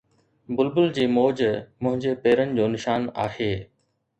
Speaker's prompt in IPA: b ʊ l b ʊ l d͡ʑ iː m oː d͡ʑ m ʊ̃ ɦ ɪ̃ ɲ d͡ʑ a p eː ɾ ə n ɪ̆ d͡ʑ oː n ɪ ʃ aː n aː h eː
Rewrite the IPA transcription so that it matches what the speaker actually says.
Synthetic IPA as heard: b ʊ l b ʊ l d͡ʑ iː m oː d͡ʑ m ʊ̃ ɦ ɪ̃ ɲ d͡ʑ e p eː ɾ ə n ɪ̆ d͡ʑ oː n ɪ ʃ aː n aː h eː